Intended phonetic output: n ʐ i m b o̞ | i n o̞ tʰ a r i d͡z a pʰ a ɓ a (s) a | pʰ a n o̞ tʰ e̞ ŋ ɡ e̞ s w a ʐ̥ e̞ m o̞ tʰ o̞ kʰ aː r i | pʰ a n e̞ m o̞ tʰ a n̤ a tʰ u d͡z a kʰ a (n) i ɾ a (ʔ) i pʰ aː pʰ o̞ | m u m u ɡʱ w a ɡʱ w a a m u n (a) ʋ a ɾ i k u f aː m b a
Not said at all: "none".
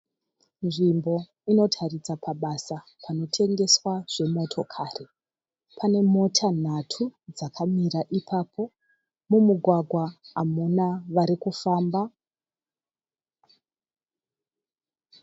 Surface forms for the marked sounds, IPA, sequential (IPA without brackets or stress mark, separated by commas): s, m, ʔ, a